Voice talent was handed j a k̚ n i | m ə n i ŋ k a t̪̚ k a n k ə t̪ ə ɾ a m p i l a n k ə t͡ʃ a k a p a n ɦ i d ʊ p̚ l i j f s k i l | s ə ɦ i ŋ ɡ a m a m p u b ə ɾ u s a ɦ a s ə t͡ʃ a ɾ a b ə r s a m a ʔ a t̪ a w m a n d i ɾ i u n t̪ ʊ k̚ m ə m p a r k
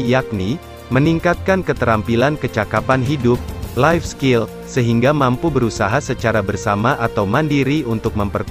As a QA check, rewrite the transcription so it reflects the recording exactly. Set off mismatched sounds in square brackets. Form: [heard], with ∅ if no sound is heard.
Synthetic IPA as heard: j a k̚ n i | m ə n i ŋ k a t̪̚ k a n k ə t̪ ə ɾ a m p i l a n k ə t͡ʃ a k a p a n ɦ i d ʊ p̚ l [a] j f s k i l | s ə ɦ i ŋ ɡ a m a m p u b ə ɾ u s a ɦ a s ə t͡ʃ a ɾ a b ə r s a m a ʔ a t̪ a w m a n d i ɾ i u n t̪ ʊ k̚ m ə m p [ə] r k